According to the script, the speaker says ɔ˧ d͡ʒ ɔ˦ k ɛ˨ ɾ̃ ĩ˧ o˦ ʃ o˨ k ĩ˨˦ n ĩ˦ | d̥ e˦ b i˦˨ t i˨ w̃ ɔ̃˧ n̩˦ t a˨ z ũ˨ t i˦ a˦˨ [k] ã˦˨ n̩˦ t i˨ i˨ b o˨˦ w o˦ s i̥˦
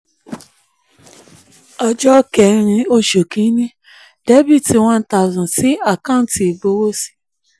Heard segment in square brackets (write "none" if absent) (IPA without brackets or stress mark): k